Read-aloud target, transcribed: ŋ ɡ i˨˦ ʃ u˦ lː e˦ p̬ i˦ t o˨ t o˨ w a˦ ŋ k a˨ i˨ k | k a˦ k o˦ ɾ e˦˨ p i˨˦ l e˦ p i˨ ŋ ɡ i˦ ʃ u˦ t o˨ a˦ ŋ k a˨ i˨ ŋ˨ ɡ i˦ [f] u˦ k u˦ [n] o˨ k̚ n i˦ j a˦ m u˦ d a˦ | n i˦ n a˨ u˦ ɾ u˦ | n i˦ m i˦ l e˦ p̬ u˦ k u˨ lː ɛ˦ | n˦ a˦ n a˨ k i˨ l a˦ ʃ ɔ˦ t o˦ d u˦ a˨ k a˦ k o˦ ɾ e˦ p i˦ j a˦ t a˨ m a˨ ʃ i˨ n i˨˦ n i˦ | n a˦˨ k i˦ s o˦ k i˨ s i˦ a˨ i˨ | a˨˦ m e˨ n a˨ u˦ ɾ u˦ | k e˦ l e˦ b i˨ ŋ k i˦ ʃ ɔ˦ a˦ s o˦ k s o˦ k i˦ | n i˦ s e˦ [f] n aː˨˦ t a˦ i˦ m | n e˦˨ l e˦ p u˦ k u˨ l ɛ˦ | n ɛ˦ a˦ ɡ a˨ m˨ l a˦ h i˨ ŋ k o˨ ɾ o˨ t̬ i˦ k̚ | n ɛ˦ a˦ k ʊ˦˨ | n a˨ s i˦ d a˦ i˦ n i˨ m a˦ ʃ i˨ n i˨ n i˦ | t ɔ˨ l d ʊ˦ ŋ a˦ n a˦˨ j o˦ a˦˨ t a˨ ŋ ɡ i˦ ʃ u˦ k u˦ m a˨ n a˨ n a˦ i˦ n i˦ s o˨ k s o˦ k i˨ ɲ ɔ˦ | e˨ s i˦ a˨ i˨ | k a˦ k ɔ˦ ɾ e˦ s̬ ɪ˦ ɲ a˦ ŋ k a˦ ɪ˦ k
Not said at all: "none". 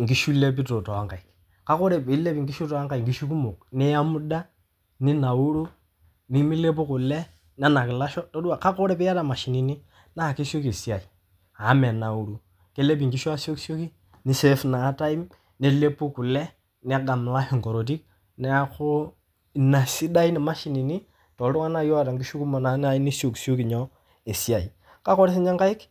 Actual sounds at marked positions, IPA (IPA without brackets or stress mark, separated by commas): ʃ, m, f